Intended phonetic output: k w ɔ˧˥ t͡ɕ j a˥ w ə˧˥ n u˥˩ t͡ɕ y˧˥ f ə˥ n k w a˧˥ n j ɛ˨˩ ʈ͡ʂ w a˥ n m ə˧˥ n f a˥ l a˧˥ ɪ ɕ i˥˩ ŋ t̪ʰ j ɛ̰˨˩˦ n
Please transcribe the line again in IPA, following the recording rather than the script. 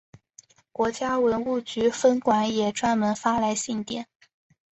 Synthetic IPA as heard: k w ɔ˧˥ t͡ɕ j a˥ w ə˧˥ n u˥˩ t͡ɕ y˧˥ f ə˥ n k w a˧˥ n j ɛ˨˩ ʈ͡ʂ w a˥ n m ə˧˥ n f a˥ l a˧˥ ɪ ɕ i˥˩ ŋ t̪ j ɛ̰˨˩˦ n

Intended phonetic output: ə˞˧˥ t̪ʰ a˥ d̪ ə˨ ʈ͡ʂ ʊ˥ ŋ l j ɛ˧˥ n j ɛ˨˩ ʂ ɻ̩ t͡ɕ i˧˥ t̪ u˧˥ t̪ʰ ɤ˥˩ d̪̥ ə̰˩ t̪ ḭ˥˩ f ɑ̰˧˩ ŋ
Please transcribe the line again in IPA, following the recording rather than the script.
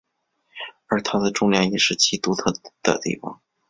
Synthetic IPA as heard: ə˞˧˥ t̪ʰ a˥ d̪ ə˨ ʈ͡ʂ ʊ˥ ŋ l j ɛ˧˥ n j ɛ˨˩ ʂ ɻ̩ t͡ɕʰ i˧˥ t̪ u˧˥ t̪ʰ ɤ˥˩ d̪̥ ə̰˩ t̪ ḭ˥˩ f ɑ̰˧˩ ŋ

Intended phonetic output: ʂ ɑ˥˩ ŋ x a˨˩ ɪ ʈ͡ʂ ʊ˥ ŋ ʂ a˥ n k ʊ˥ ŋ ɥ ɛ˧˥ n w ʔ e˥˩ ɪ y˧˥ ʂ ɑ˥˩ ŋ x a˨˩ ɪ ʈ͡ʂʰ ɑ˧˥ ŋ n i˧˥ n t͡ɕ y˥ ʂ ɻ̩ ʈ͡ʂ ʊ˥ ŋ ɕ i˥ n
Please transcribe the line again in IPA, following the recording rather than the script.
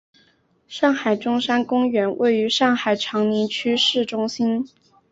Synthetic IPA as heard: ʂ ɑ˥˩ ŋ x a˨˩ ɪ ʈ͡ʂ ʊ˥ ŋ ʂ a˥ n k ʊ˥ ŋ ɥ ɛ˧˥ n w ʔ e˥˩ ɪ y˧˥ ʂ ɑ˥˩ ŋ x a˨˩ ɪ ʈ͡ʂʰ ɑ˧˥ ŋ n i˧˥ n t͡ɕʰ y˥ ʂ ɻ̩ ʈ͡ʂ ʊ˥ ŋ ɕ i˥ n

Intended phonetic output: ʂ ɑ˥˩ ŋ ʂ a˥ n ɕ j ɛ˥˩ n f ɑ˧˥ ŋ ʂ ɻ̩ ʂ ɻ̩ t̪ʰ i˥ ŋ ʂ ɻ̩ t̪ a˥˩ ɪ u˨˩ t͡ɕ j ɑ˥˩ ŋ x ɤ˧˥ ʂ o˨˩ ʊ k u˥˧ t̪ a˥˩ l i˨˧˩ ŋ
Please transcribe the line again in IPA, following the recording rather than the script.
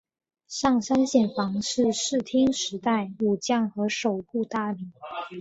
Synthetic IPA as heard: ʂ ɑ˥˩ ŋ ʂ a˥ n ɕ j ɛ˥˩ n f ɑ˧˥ ŋ ʂ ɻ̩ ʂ ɻ̩ t̪ʰ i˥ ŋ ʂ ɻ̩ t̪ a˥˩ ɪ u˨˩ t͡ɕ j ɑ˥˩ ŋ x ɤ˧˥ ʂ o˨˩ ʊ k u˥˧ t̪ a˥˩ l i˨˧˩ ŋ

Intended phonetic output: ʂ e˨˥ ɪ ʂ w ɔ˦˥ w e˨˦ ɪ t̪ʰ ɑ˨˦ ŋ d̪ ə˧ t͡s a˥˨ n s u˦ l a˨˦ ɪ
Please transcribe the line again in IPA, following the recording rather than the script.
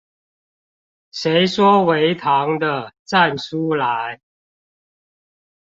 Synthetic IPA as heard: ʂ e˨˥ ɪ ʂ w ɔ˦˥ w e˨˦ ɪ t̪ʰ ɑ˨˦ ŋ d̪ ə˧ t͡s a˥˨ n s u˦ l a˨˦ ɪ

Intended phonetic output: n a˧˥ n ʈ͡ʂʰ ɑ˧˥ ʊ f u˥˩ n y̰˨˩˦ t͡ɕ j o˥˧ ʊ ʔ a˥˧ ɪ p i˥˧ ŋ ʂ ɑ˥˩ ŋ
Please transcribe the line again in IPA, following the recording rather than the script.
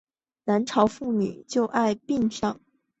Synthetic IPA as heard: n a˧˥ n ʈ͡ʂʰ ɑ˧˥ ʊ f u˥˩ n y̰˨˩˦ t͡ɕ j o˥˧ ʊ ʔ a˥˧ ɪ p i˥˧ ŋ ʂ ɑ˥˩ ŋ

